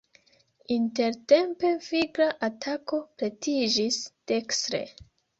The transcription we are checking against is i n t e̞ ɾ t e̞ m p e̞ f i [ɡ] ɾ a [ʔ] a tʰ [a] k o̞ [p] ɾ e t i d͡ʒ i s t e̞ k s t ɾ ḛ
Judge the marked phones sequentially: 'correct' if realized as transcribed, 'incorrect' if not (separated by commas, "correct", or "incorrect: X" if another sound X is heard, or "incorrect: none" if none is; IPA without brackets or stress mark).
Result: correct, correct, correct, correct